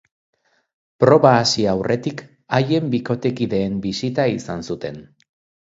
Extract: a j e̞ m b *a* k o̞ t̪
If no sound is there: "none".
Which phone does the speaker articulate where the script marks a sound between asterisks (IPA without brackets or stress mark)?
i